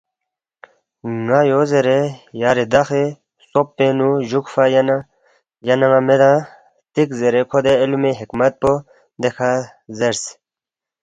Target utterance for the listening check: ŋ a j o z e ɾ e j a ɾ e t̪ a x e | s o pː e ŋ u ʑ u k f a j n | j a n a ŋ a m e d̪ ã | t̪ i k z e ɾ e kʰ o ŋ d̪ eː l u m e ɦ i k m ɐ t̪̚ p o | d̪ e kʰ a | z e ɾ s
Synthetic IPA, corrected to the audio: ŋ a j o z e ɾ e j a ɾ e d̪ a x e | s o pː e n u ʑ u k f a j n | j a n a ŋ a m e d̪ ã | t̪ i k z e ɾ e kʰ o d̪ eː l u m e ɦ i k m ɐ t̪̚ p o | d̪ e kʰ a | z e ɾ s